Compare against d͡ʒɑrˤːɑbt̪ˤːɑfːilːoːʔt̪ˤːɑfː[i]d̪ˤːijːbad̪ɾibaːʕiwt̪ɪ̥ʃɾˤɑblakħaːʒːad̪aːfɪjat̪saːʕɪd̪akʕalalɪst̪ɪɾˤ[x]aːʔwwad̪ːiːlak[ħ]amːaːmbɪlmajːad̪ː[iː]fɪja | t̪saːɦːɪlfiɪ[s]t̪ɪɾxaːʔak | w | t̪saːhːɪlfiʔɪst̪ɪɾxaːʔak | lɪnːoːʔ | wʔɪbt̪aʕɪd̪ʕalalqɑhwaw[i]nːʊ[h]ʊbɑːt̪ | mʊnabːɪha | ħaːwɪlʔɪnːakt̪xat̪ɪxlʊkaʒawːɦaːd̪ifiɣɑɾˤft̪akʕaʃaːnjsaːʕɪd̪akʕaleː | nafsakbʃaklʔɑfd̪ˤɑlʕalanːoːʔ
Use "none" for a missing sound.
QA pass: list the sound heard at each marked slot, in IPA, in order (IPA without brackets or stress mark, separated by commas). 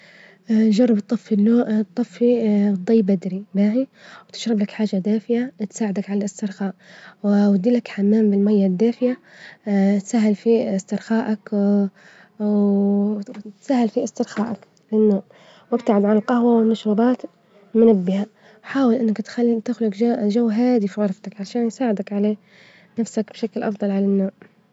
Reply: i, x, ħ, aː, s, ɪ, ʃ